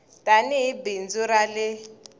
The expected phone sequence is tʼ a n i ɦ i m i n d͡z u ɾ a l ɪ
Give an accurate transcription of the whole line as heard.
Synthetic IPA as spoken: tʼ a n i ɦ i b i n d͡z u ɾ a l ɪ